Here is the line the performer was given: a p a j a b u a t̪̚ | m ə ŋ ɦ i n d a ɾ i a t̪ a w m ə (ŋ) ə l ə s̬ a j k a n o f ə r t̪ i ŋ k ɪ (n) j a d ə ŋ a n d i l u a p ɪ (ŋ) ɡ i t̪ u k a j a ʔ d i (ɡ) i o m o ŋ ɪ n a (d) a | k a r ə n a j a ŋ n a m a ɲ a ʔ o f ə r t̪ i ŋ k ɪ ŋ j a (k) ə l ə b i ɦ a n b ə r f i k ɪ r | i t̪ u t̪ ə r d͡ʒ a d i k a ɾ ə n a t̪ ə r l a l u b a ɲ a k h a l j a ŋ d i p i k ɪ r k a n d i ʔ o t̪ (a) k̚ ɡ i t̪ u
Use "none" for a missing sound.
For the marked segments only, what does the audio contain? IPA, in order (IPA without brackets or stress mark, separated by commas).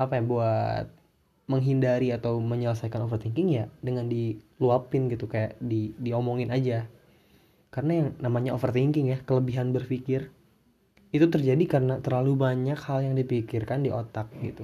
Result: ɲ, ŋ, n, d, d͡ʒ, k, a